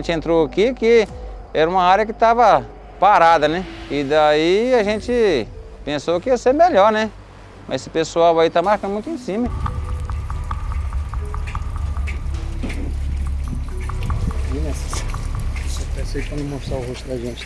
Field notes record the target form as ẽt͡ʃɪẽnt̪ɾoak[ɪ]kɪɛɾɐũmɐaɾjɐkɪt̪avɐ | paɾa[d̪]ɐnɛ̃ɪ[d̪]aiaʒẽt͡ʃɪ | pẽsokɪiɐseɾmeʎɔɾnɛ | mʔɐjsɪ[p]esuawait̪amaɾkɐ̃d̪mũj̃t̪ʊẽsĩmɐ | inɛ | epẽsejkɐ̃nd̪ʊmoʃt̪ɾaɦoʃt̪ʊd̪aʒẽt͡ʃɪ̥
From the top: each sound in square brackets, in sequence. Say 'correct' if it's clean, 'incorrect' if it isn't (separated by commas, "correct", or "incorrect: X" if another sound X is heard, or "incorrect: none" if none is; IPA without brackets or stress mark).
incorrect: i, correct, correct, correct